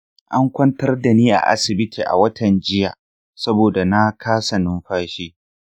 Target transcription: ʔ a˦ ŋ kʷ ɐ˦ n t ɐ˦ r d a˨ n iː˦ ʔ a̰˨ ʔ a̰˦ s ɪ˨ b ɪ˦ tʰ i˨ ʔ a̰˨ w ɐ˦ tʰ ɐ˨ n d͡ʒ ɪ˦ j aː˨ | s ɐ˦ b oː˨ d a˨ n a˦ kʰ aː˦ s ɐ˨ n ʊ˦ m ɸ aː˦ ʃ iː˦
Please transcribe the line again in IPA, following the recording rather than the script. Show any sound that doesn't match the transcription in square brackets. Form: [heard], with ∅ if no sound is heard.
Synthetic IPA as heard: ʔ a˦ ŋ kʷ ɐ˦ n t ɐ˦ r d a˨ n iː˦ ʔ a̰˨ ʔ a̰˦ s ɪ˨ b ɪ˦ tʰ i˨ ʔ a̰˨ w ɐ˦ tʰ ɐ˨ n d͡ʒ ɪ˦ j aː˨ | s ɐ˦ b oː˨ d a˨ n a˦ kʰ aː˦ s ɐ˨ n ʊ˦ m ɸ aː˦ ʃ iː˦